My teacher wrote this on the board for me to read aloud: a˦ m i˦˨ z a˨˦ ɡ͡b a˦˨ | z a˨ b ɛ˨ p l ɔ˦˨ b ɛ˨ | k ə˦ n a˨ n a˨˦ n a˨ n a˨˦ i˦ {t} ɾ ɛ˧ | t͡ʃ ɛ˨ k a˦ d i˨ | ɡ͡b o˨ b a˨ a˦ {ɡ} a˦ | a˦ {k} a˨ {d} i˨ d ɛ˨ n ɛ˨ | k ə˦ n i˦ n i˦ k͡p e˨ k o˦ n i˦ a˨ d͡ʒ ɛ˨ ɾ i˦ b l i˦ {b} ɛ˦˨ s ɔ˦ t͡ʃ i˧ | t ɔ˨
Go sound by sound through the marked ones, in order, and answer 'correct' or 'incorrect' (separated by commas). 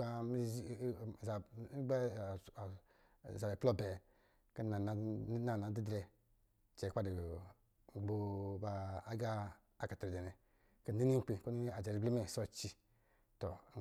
incorrect, correct, correct, incorrect, incorrect